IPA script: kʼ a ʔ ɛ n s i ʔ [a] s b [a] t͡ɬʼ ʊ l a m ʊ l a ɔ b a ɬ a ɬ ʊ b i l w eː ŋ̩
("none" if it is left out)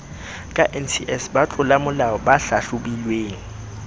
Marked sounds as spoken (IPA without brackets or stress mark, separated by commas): ɛ, a